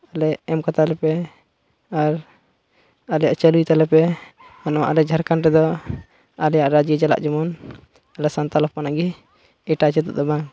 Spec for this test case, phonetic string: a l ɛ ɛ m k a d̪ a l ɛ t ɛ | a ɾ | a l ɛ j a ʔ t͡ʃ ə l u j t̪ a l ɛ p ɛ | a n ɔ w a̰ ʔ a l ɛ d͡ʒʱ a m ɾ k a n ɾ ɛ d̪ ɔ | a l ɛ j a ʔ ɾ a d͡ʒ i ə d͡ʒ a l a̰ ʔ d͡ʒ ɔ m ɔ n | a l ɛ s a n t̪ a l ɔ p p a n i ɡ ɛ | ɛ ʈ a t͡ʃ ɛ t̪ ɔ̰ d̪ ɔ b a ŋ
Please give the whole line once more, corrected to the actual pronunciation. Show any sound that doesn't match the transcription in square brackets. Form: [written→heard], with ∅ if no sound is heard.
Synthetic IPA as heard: a l ɛ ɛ m k a [d̪→t̪] a l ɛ [t→p] ɛ | a ɾ | a l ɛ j a ʔ t͡ʃ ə l u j t̪ a l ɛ p ɛ | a n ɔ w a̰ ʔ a l ɛ d͡ʒʱ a [m→∅] ɾ k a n ɾ ɛ d̪ ɔ | a l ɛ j a ʔ ɾ a d͡ʒ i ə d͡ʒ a l a̰ ʔ d͡ʒ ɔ m ɔ n | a l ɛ s a n t̪ a l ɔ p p a n [i→a] ɡ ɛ | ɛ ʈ a t͡ʃ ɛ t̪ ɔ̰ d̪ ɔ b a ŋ